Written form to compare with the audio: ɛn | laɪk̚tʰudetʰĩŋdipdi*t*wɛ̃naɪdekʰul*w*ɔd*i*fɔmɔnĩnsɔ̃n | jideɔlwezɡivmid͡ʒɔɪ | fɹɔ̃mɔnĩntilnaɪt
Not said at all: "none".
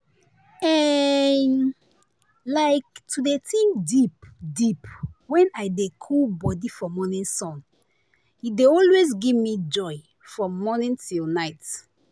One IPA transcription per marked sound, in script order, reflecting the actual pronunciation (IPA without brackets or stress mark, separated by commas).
p, b, i